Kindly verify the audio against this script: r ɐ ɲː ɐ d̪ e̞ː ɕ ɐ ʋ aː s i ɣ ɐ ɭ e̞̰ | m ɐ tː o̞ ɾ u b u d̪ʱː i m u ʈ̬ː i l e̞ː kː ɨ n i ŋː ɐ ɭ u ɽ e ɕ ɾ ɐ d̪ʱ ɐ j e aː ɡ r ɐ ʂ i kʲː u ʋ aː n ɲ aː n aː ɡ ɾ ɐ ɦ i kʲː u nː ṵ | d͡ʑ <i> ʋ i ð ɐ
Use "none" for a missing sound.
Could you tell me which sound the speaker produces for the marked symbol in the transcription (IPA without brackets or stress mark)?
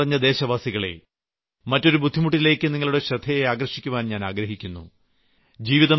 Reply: iː